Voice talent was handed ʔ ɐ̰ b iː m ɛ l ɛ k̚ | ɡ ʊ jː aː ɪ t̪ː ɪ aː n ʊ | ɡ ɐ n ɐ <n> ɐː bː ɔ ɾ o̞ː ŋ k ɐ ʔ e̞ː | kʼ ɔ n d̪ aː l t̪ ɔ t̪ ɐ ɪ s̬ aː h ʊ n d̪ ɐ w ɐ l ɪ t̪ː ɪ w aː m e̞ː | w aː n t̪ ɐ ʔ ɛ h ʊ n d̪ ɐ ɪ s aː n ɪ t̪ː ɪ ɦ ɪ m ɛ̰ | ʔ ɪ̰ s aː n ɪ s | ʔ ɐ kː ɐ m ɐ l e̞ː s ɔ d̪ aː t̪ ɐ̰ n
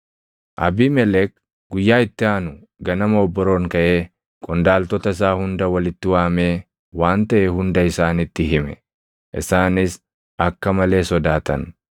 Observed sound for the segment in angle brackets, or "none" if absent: m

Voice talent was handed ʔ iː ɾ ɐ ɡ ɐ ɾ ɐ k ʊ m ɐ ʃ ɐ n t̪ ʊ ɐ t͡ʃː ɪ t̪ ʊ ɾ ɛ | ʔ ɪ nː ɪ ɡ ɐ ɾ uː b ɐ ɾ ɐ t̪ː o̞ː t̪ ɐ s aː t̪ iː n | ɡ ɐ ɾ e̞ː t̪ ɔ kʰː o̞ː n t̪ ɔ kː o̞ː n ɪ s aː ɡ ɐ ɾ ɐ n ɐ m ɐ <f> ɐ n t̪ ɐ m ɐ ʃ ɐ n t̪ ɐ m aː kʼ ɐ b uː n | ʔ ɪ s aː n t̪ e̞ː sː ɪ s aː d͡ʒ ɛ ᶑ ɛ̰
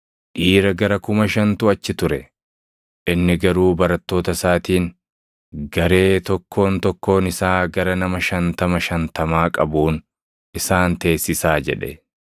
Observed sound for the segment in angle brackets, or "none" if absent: ʃ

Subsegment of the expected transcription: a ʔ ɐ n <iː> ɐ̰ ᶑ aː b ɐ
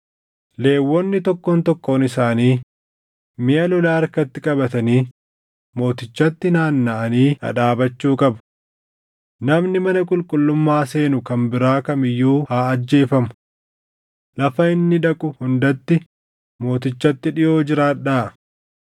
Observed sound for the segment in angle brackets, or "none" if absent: iː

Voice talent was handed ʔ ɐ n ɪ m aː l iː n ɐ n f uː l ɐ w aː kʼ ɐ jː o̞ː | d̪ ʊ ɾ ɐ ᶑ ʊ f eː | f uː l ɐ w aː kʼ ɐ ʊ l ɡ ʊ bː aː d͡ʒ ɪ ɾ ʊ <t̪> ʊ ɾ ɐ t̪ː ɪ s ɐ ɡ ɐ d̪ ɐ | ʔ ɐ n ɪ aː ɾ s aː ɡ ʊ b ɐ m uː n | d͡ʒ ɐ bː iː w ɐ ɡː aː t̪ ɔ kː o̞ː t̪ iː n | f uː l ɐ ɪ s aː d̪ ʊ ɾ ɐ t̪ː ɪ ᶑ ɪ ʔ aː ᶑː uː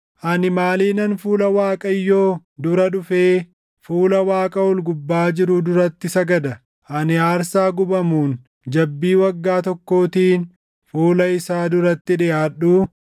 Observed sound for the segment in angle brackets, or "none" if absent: d̪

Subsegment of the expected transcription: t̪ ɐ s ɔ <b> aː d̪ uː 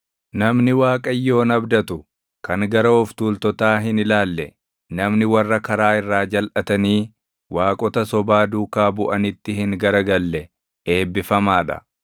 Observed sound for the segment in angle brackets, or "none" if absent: b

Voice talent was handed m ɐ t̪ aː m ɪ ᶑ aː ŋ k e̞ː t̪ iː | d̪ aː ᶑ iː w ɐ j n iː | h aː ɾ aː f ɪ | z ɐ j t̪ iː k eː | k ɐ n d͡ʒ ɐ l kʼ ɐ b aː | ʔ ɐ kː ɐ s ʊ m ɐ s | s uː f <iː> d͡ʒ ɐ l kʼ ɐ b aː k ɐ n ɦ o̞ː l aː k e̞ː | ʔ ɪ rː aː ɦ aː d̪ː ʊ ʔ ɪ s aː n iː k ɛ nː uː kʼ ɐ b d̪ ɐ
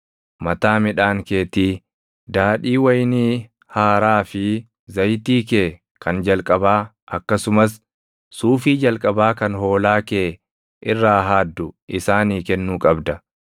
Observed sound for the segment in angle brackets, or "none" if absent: iː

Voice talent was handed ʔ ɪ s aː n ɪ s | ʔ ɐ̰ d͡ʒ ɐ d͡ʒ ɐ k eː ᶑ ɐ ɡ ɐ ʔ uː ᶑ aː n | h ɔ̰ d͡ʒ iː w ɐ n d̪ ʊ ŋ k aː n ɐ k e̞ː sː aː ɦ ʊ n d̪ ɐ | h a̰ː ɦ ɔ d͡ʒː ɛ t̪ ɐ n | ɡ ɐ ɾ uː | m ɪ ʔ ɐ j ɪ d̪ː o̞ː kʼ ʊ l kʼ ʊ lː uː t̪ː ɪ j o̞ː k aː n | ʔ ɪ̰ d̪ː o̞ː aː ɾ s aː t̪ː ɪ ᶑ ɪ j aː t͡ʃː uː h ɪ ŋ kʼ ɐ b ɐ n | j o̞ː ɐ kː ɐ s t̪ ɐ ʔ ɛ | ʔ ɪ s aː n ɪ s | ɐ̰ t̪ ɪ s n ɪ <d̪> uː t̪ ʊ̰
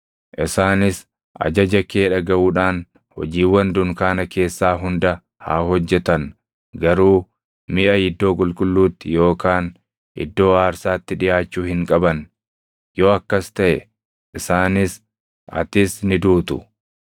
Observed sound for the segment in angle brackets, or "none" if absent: d̪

